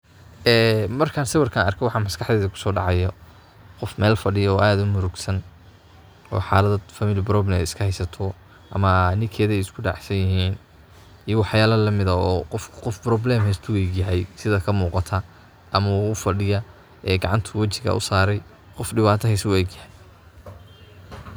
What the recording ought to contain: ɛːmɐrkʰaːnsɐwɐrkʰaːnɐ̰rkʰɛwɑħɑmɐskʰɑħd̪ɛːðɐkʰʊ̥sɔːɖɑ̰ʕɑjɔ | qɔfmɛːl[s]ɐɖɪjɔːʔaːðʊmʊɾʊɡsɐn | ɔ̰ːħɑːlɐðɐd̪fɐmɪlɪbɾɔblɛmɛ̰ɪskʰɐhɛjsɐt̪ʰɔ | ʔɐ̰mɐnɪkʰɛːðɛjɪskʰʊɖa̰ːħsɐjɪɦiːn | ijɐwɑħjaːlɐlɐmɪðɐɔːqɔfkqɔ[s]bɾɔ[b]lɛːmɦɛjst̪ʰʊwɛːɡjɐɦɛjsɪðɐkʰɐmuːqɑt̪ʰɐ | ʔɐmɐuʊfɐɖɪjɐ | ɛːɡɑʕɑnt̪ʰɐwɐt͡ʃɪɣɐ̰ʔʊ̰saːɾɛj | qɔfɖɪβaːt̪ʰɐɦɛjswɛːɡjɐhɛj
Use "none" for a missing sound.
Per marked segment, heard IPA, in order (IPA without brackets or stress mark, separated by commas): f, f, b